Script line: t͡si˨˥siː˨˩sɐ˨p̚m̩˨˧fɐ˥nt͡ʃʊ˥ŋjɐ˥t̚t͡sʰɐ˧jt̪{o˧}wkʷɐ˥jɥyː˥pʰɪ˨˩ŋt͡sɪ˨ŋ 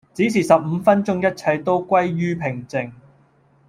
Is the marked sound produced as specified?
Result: no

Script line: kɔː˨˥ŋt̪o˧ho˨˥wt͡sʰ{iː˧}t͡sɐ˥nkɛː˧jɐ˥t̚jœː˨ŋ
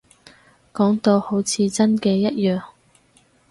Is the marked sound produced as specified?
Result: yes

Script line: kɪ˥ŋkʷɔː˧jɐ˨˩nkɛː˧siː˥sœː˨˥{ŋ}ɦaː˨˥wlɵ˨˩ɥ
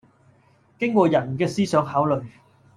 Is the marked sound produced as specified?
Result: yes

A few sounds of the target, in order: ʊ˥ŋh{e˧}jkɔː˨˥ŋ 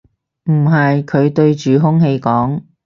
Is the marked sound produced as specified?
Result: yes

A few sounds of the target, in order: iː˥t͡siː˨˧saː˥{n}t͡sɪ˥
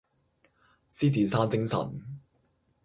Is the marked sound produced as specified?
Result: yes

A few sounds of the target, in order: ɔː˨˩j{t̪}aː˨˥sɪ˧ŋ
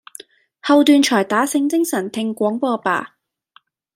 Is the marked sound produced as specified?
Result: yes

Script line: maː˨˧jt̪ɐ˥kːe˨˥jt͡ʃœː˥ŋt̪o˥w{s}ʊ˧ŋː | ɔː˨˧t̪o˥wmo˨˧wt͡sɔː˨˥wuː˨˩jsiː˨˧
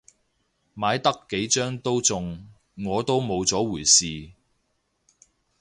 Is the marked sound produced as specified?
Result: no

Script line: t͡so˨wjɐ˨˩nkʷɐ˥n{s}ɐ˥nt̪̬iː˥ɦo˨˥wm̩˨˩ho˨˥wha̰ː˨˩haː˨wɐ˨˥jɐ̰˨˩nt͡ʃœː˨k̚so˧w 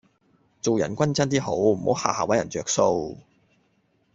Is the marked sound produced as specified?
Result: no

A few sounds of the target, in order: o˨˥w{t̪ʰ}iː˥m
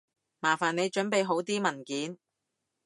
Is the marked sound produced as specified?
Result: no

